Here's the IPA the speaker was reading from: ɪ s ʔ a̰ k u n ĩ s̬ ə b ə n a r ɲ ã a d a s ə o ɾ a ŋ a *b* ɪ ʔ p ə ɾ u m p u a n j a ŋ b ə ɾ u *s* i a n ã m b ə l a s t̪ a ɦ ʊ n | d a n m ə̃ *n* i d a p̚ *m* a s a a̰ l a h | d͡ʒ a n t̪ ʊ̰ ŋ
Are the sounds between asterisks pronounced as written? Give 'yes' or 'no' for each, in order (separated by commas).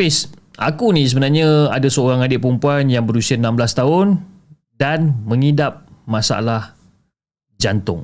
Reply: no, yes, no, yes